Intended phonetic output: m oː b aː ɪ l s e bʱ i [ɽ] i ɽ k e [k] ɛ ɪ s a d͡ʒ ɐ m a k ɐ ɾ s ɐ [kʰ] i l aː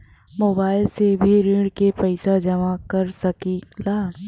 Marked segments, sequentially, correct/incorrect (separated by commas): incorrect, incorrect, incorrect